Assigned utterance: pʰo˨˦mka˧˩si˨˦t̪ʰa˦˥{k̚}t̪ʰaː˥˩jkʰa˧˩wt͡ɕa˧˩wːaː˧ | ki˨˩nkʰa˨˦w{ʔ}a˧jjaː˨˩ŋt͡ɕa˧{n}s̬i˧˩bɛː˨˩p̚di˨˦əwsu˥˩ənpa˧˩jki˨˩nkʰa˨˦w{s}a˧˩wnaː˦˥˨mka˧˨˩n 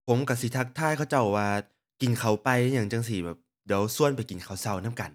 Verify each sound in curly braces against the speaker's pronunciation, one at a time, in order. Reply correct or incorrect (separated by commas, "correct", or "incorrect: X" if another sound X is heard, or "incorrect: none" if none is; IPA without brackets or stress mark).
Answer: correct, incorrect: p, incorrect: ŋ, correct